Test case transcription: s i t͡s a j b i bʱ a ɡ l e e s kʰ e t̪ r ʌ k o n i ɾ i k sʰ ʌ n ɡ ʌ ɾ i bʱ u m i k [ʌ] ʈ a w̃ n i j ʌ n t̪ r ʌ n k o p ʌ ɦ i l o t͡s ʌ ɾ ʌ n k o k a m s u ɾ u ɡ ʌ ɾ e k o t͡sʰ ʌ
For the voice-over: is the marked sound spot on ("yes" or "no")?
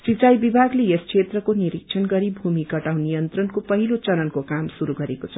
yes